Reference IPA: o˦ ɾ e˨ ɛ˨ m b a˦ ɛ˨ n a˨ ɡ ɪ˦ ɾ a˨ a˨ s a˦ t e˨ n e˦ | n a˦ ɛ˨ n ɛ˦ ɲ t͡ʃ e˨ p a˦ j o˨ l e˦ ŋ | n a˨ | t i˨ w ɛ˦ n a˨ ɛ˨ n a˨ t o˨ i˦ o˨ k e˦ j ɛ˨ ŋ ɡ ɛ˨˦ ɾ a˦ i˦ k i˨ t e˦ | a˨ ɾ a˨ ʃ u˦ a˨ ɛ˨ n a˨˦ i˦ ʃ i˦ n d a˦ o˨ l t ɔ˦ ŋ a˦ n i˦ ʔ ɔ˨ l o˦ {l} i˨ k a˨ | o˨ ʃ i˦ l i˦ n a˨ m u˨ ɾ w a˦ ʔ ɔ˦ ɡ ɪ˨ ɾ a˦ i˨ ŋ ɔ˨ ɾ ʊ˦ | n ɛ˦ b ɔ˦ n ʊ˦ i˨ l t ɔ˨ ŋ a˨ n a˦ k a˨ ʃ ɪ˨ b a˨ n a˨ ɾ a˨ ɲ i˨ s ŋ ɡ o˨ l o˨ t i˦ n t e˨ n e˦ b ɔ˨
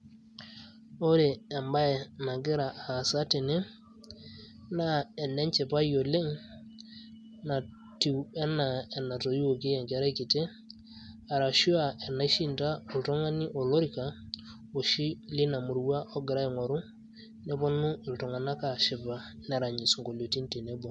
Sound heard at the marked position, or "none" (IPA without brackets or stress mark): ɾ